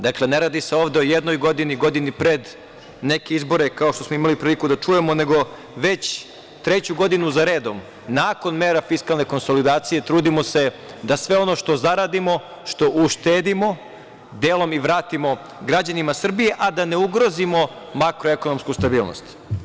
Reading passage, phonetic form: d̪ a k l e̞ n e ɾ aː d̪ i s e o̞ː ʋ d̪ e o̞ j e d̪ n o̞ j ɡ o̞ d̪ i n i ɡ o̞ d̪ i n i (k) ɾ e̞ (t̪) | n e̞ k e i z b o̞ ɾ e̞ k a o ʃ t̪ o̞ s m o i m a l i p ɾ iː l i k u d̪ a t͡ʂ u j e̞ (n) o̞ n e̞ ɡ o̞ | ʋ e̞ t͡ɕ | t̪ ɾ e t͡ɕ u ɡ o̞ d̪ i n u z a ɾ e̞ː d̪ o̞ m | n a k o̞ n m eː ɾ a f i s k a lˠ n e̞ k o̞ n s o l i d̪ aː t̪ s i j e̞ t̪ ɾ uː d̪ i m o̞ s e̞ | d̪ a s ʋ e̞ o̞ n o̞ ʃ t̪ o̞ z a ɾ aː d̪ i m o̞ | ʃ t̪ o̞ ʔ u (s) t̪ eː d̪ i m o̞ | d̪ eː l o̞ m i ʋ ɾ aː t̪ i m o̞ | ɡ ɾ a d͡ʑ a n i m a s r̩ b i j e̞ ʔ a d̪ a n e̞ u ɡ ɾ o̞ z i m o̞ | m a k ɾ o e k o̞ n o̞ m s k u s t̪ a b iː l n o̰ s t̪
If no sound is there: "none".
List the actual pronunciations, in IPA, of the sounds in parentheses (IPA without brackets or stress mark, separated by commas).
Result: p, d̪, m, ʃ